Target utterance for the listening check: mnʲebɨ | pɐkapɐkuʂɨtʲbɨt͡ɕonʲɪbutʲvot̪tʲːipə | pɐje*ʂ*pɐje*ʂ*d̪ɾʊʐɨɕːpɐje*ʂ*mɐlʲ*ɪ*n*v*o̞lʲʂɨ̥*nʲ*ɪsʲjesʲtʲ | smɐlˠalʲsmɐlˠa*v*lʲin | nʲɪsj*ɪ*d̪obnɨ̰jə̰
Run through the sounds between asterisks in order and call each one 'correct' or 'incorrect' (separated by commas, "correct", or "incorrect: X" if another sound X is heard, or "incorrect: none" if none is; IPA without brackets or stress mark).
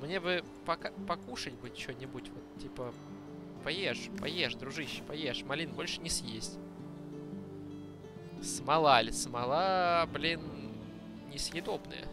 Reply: correct, correct, correct, incorrect: i, incorrect: b, correct, incorrect: b, correct